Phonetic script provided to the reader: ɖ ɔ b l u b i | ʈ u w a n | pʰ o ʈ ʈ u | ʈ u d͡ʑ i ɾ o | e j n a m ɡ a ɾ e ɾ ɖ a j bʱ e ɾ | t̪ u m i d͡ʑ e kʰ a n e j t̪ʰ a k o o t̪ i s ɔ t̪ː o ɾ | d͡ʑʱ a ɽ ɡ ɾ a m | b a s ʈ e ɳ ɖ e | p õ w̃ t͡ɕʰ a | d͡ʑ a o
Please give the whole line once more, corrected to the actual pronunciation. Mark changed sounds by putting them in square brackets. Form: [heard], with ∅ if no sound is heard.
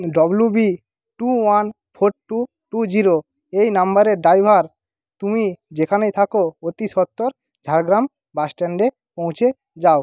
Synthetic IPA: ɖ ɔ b l u b i | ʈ u w a n | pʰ o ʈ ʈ u | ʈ u d͡ʑ i ɾ o | e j n a m [b] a ɾ e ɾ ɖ a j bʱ [a] ɾ | t̪ u m i d͡ʑ e kʰ a n e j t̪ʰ a k o o t̪ i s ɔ t̪ː o ɾ | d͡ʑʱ a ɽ ɡ ɾ a m | b a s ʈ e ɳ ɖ e | p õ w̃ t͡ɕʰ [e] | d͡ʑ a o